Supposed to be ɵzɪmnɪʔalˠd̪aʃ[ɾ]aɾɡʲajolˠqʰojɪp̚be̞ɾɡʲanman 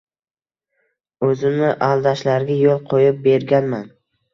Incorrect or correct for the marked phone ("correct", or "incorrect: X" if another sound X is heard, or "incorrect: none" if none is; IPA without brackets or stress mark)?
incorrect: l